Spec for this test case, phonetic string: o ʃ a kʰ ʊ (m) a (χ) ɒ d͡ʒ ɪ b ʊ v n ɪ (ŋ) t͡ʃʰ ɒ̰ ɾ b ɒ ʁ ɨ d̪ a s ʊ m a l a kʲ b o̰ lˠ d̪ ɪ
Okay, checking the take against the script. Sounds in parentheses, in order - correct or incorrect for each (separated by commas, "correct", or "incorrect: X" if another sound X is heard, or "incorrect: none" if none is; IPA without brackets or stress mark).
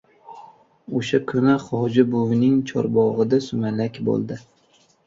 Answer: incorrect: n, correct, correct